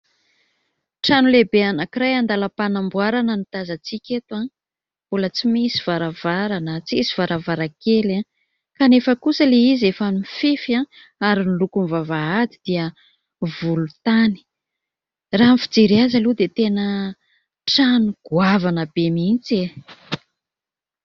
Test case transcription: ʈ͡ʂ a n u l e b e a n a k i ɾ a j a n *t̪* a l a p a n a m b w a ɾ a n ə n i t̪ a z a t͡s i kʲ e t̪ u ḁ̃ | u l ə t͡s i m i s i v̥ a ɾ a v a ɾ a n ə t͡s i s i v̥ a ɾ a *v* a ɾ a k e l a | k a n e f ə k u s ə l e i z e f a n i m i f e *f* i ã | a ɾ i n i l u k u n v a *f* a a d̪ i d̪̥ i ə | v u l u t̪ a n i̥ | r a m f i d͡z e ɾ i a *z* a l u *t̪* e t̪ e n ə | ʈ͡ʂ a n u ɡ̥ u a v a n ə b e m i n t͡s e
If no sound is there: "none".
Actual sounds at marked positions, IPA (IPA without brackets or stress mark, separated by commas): d̪, v, f, v, z, d̪